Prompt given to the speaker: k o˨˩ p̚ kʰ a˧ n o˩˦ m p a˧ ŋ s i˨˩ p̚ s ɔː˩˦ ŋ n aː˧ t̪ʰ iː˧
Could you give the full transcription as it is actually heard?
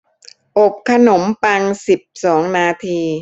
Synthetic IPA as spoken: ʔ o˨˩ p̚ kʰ a˧ n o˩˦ m p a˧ ŋ s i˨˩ p̚ s ɔː˩˦ ŋ n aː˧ t̪ʰ iː˧

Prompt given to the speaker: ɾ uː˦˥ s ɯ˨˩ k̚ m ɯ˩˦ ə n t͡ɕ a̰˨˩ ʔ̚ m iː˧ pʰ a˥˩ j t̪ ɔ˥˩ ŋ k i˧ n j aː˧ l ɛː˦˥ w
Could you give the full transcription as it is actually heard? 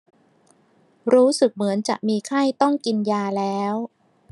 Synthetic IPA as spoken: ɾ uː˦˥ s ɯ˨˩ k̚ m ɯ˩˦ ə n t͡ɕ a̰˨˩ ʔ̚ m iː˧ kʰ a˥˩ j t̪ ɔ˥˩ ŋ k i˧ n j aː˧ l ɛː˦˥ w

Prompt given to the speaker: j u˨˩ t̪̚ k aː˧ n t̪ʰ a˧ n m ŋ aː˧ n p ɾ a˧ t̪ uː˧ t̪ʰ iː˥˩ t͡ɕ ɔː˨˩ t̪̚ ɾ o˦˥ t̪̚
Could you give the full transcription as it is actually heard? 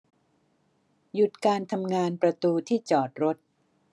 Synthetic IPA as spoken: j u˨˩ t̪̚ k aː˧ n t̪ʰ a˧ m ŋ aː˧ n p ɾ a˧ t̪ uː˧ t̪ʰ iː˥˩ t͡ɕ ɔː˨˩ t̪̚ ɾ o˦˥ t̪̚

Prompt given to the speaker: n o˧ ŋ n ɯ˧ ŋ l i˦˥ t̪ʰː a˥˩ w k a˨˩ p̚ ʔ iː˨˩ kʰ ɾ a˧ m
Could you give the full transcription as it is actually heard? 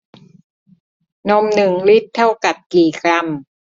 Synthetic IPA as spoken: n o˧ m n ɯ˨˩ ŋ l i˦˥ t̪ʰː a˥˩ w k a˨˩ p̚ k iː˨˩ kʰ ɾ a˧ m

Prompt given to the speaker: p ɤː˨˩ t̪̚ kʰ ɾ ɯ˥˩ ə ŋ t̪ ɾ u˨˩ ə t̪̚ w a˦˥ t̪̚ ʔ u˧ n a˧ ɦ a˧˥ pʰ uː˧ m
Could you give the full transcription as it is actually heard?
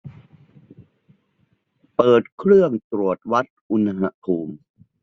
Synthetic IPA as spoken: p ɤː˨˩ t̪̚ kʰ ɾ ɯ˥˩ ə ŋ t̪ ɾ u˨˩ ə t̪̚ w a˦˥ t̪̚ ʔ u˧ n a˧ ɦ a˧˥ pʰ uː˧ m

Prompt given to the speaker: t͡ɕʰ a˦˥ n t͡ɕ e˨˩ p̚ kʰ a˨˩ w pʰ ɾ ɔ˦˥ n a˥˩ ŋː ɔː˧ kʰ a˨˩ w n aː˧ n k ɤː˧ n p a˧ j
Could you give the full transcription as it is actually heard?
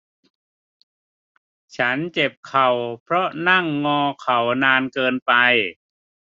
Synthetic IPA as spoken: t͡ɕʰ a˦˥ n t͡ɕ e˨˩ p̚ kʰ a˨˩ w pʰ ɾ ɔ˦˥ n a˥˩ ŋː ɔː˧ kʰ a˨˩ w n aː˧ n k ɤː˧ n p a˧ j

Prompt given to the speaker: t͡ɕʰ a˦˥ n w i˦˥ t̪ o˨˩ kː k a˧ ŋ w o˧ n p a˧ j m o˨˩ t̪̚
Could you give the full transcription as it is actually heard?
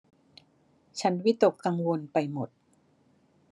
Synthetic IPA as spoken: t͡ɕʰ a˦˥ n w i˦˥ t̪ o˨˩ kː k a˧ ŋ w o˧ n p a˧ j m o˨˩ t̪̚

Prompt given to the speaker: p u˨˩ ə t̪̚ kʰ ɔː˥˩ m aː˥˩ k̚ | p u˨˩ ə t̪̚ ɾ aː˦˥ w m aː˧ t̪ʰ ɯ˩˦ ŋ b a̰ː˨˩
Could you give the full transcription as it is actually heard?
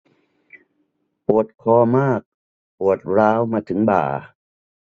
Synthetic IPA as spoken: p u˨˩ ə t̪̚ kʰ ɔː˧ m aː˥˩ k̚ | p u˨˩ ə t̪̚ ɾ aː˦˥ w m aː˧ t̪ʰ ɯ˩˦ ŋ b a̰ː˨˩

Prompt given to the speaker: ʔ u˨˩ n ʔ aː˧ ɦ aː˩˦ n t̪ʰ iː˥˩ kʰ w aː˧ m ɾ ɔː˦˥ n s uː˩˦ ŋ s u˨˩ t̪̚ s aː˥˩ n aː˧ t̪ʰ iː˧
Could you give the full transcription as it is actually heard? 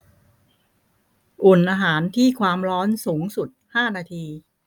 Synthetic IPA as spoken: ʔ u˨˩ n ʔ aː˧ ɦ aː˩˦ n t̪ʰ iː˥˩ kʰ w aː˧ m ɾ ɔː˦˥ n s uː˩˦ ŋ s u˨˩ t̪̚ h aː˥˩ n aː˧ t̪ʰ iː˧

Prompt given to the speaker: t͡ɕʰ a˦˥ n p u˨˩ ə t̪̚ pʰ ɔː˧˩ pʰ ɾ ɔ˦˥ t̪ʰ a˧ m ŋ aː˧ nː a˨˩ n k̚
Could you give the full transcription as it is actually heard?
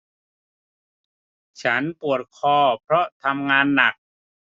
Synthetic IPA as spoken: t͡ɕʰ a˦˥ n p u˨˩ ə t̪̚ kʰ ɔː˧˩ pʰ ɾ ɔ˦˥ t̪ʰ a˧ m ŋ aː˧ nː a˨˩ k̚

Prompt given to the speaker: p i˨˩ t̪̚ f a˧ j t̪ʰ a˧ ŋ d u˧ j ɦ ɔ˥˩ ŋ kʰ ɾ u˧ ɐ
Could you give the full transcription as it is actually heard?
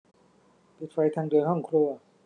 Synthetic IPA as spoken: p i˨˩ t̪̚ f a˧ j t̪ʰ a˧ ŋ d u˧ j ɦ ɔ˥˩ ŋ kʰ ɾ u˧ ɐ

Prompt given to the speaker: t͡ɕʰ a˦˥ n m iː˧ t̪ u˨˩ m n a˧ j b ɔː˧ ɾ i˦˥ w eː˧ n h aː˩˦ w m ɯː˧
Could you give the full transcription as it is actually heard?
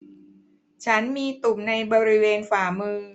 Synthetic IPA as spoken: t͡ɕʰ a˦˥ n m iː˧ t̪ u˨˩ m n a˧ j b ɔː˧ ɾ i˦˥ w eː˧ n f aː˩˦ m ɯː˧

